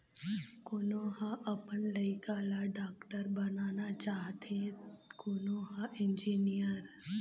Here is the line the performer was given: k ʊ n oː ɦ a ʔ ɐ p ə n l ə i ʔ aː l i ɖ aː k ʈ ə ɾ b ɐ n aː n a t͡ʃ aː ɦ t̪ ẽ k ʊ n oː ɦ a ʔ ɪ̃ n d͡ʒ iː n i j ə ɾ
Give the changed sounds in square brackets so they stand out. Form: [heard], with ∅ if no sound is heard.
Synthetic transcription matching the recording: k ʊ n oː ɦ a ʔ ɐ p ə n l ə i [k] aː l [a] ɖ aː k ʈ ə ɾ b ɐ n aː n a t͡ʃ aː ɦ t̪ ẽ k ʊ n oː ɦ a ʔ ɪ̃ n d͡ʒ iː n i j ə ɾ